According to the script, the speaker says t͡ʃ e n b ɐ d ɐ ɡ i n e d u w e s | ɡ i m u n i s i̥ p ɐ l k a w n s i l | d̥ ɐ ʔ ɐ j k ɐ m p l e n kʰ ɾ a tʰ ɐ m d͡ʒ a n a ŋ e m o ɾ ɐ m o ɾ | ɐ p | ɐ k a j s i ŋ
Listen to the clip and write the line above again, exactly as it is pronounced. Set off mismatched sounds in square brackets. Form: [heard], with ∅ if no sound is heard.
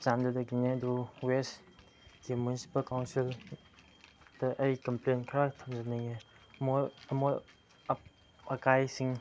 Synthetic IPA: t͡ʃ [a] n [d] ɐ d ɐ ɡ i n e d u w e s | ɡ i m u n i s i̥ p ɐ l k a w n s i l | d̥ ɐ ʔ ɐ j k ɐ m p l e n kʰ ɾ a tʰ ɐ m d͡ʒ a n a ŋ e m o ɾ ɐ m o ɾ | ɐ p | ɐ k a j s i ŋ